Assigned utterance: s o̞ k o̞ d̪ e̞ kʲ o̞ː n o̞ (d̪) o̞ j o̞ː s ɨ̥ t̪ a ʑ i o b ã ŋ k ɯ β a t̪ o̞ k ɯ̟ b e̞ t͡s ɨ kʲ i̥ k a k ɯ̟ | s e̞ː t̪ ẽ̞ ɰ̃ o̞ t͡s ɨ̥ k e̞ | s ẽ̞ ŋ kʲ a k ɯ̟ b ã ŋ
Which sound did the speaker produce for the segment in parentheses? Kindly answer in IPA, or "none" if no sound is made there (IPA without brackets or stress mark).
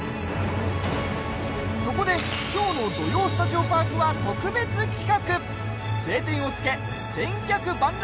d̪